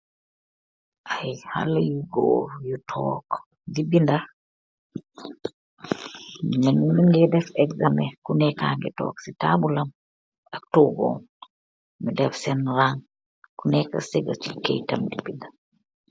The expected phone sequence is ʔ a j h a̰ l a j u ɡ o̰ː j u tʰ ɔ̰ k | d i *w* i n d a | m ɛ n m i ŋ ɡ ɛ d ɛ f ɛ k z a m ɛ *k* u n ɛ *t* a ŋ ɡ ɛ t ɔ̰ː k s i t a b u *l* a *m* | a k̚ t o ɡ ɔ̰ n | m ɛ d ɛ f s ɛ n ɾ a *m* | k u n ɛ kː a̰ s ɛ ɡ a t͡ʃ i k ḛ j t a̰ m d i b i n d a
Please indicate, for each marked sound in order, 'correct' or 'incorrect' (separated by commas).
incorrect, correct, incorrect, correct, correct, incorrect